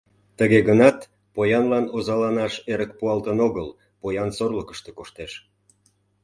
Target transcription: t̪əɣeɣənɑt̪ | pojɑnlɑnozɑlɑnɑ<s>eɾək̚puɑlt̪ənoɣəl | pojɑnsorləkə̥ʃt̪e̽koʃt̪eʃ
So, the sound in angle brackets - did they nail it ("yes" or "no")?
no